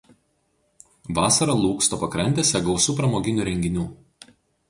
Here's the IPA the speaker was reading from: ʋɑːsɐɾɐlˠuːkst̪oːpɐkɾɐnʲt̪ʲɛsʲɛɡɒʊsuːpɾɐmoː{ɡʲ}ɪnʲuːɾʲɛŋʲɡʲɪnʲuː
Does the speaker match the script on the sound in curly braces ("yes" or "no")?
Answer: yes